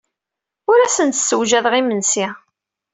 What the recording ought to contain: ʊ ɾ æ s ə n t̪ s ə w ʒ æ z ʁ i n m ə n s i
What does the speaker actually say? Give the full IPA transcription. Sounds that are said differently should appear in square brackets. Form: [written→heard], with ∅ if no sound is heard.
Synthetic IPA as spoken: ʊ ɾ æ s ə n t̪ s ə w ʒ æ [z→ð] ʁ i [n→∅] m ə n s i